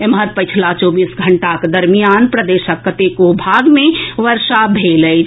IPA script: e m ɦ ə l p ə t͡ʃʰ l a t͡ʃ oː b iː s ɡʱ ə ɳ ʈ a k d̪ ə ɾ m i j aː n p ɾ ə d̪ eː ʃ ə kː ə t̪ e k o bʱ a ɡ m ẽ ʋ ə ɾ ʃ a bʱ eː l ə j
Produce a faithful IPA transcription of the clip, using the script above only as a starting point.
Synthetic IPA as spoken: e m ɦ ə ɾ p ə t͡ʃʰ l a t͡ʃ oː b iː s ɡʱ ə ɳ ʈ a k d̪ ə ɾ m i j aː n p ɾ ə d̪ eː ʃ ə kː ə t̪ e k o bʱ a ɡ m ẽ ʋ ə ɾ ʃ a bʱ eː l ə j